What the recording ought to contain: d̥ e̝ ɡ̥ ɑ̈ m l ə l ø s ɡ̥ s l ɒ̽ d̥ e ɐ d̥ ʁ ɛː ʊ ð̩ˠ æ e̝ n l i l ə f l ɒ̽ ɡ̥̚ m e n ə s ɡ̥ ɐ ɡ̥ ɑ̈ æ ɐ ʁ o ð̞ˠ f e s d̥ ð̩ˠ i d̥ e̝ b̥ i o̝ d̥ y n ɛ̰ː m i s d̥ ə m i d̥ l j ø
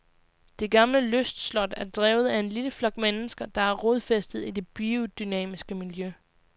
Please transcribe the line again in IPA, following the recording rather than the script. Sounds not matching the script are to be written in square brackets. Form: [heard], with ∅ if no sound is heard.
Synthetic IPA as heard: d̥ e̝ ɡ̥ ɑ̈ m l ə l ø s [d̥] s l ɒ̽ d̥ [æ] ɐ d̥ ʁ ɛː ʊ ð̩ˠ æ e̝ n l i l ə f l ɒ̽ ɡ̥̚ m e n ə s ɡ̥ ɐ [d̥] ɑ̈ æ ɐ ʁ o ð̞ˠ f e s d̥ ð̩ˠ i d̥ e̝ b̥ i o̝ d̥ y n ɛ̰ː m i s [ɡ̥] ə m i [∅] l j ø